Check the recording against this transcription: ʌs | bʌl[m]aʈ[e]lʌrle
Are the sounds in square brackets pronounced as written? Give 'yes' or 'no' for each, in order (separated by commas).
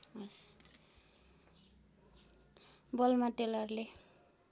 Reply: yes, yes